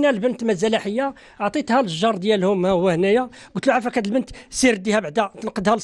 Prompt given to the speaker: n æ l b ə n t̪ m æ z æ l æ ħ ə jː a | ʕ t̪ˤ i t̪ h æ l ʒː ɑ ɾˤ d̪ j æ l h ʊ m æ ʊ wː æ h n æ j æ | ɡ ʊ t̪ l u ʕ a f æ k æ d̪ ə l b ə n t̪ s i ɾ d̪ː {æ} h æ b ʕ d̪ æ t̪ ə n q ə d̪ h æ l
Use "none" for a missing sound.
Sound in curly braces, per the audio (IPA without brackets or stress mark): i